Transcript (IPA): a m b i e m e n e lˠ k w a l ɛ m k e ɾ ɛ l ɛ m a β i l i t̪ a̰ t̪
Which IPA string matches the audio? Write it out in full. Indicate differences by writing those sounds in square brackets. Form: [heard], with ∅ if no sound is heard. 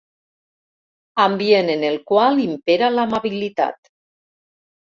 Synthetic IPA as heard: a m b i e [n] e n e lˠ k w a l [i] m [p] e ɾ [a] l [a] m a β i l i t̪ a̰ t̪